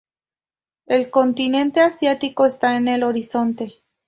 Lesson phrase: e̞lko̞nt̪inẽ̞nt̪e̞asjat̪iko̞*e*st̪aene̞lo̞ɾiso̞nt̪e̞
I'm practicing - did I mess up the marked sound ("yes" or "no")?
no